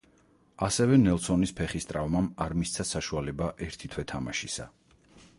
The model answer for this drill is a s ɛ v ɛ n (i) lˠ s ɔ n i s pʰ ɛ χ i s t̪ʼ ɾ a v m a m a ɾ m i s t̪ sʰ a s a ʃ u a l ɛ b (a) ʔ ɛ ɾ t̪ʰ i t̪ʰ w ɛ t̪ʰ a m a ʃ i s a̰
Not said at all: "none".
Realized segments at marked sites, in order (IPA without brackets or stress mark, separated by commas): ɛ, a